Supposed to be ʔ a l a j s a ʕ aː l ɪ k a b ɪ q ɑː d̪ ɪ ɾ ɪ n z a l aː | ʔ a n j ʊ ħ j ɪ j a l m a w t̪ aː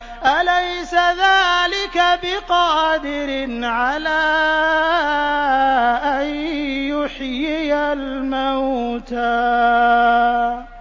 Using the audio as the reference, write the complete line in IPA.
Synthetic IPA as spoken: ʔ a l a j s a ð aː l ɪ k a b ɪ q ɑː d̪ ɪ ɾ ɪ n ʕ a l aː | ʔ a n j ʊ ħ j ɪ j a l m a w t̪ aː